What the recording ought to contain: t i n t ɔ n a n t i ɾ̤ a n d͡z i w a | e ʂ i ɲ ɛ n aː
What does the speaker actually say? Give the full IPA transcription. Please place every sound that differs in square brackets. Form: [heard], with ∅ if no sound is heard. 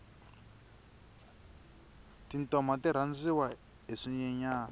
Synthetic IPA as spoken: t i n t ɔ [m] a [∅] t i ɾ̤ a n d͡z i w a | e ʂ i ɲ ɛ [ɲ] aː